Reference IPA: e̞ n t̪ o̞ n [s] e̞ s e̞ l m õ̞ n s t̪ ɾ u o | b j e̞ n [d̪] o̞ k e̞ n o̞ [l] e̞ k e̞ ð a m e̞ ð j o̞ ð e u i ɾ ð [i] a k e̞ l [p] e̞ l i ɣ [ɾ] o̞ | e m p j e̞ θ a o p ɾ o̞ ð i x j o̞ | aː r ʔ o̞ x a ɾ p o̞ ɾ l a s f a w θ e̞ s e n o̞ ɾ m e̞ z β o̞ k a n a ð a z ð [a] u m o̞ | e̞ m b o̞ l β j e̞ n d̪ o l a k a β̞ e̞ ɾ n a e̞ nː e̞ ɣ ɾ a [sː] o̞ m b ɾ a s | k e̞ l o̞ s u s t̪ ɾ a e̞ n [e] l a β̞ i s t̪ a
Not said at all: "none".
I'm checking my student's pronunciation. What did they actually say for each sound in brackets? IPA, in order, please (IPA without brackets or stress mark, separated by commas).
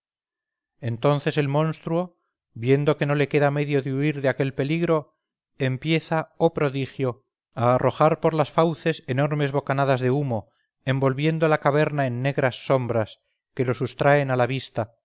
θ, d̪, l, e, p, ɾ, e, sː, a